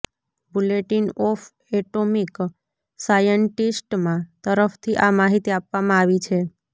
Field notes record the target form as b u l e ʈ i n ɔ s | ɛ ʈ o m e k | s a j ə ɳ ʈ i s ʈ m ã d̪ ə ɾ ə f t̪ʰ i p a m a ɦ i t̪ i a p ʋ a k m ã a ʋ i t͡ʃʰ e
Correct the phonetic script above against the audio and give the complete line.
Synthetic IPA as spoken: b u l e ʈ i n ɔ f | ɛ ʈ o m i k | s a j ə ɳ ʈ i s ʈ m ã t̪ ə ɾ ə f t̪ʰ i ʔ a m a ɦ i t̪ i a p ʋ a m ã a ʋ i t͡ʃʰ e